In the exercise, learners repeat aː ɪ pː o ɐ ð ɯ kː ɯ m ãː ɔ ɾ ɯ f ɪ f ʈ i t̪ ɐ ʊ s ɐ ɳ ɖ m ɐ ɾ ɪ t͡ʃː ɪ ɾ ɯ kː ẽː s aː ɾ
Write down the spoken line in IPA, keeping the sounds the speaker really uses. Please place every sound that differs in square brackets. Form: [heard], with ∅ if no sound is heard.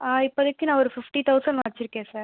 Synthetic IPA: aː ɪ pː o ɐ ð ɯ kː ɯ [n] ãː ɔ ɾ ɯ f ɪ f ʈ i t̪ ɐ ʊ s ɐ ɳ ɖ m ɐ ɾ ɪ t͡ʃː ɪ ɾ ɯ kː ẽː s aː ɾ